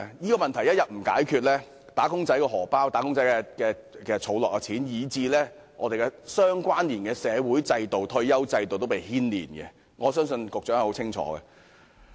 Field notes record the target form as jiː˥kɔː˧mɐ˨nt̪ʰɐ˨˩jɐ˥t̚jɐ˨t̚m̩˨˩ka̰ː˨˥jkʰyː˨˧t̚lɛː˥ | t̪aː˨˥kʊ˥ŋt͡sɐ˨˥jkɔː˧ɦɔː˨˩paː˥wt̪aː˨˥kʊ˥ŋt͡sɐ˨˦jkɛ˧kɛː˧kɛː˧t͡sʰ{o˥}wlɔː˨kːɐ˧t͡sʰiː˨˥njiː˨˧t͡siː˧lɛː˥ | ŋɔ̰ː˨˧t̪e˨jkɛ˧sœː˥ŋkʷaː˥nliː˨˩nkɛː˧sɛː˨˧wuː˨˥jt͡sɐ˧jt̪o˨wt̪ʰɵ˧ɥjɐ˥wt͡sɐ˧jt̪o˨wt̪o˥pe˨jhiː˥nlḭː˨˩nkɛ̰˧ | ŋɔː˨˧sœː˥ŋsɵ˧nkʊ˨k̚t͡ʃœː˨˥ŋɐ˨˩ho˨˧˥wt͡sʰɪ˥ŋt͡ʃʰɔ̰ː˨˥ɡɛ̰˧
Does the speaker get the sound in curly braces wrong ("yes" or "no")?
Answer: yes